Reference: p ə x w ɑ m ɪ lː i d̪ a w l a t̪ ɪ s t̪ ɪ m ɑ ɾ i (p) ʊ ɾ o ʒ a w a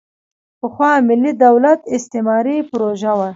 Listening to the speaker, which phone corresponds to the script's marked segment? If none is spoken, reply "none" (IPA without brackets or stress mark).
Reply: p